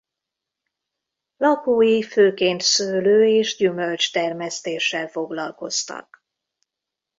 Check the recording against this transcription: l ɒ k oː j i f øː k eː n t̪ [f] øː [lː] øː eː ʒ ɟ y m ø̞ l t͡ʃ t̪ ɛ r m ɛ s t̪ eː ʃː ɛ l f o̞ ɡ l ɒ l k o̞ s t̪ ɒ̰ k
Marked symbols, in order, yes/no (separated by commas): no, no